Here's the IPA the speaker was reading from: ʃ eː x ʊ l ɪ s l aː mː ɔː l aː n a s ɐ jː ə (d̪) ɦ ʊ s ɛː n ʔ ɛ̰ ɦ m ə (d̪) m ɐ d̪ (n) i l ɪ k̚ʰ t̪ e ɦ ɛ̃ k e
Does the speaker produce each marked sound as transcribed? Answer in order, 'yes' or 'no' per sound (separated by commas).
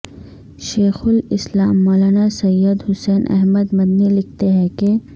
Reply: yes, yes, yes